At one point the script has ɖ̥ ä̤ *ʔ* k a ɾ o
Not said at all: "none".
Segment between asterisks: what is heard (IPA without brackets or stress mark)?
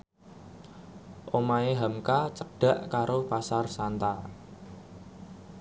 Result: ʔ